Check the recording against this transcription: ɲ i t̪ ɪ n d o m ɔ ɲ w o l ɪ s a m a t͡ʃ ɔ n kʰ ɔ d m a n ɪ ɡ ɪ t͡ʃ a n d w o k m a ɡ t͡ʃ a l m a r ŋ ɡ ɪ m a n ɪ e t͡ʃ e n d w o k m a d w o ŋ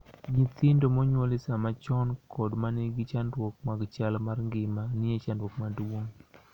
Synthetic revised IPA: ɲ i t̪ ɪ n d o m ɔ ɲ w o l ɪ s a m a t͡ʃ ɔ n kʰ ɔ d m a n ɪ ɡ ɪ t͡ʃ a n d w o k m a ɡ t͡ʃ a l m a r ŋ ɡ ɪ m a n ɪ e t͡ʃ a n d w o k m a d w o ŋ